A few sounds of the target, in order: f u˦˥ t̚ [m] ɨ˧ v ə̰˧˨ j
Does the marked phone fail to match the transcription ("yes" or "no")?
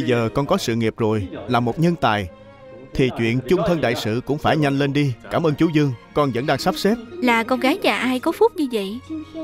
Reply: yes